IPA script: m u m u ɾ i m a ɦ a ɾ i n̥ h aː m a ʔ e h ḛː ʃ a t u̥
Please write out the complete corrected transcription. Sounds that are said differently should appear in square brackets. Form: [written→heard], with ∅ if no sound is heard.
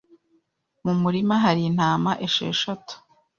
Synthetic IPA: m u m u ɾ i m a ɦ a ɾ i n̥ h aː m a ʔ e [h→ʃ] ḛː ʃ a t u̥